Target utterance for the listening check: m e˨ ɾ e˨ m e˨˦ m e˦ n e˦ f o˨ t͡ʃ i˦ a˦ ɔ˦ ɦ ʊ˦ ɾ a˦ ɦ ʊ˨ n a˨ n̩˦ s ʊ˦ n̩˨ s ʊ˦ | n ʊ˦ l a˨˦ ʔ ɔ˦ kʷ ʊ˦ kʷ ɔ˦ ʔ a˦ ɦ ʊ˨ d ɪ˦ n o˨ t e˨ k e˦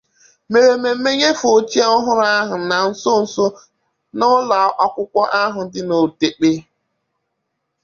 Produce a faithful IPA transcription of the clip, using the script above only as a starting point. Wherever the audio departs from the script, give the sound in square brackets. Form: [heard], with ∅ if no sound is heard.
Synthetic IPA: m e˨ ɾ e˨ m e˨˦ m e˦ [ɲ] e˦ f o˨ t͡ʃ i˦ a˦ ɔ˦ ɦ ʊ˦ ɾ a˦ ɦ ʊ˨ n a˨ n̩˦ s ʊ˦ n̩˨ s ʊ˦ | n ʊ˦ l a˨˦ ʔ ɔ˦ kʷ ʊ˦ kʷ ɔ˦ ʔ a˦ ɦ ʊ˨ d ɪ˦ n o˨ t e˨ [k͡p] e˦